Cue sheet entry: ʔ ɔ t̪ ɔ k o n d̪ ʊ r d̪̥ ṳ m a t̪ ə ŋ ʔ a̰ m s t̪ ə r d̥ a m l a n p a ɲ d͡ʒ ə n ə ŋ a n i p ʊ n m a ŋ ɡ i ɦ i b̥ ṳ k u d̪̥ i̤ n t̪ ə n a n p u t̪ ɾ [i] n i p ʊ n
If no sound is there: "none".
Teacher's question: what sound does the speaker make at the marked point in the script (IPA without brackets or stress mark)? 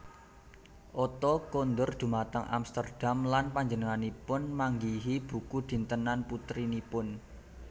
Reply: i